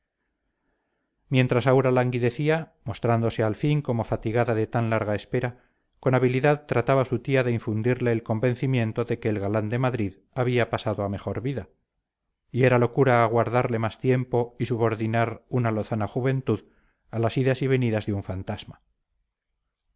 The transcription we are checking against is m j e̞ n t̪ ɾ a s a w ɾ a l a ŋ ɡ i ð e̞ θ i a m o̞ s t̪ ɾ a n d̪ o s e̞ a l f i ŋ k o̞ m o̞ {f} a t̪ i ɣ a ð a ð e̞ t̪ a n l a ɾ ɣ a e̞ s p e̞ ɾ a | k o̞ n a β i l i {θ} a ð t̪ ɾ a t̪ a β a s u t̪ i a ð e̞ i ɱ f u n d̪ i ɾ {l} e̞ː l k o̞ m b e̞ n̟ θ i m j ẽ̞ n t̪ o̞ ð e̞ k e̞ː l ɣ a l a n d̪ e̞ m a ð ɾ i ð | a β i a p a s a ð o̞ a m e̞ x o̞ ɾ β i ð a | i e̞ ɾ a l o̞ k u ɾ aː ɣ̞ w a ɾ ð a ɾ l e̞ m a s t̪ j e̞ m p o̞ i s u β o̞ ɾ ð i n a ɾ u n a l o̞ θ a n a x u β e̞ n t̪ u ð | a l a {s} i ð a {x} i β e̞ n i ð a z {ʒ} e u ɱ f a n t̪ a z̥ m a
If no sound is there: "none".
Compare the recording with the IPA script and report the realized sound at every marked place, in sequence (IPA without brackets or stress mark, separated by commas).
f, ð, l, s, s, ð